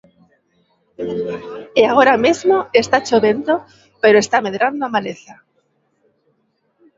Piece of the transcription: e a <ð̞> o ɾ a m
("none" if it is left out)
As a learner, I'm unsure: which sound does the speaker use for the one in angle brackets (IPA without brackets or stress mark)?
ɣ̞